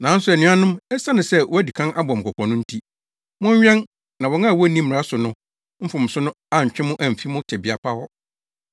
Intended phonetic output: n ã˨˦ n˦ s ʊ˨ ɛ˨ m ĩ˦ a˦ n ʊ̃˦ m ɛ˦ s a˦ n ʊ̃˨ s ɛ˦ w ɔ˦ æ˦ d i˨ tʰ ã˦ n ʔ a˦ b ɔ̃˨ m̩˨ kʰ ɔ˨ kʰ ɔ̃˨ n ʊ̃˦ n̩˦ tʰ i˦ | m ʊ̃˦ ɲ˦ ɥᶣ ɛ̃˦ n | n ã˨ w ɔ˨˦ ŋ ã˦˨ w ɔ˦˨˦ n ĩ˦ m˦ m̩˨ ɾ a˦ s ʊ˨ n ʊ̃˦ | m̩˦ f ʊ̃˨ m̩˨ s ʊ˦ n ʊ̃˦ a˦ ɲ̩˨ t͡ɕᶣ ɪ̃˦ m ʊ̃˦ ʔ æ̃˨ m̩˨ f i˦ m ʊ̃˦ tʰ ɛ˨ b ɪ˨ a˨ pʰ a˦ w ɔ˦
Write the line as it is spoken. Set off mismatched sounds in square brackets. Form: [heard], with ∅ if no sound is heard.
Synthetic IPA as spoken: n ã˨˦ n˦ s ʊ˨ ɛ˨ [n] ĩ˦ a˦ n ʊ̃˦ m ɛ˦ s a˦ n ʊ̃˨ s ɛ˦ w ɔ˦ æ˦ d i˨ [kʰ] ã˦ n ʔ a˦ b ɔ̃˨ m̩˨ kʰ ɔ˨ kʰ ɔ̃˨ n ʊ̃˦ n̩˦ tʰ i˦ | m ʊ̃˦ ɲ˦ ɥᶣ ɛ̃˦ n | n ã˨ w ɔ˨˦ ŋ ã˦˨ w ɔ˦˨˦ n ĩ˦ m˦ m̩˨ ɾ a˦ s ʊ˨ n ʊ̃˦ | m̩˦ f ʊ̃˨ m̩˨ s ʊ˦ n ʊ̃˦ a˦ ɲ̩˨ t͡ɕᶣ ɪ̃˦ m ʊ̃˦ ʔ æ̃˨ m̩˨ f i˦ m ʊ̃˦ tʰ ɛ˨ b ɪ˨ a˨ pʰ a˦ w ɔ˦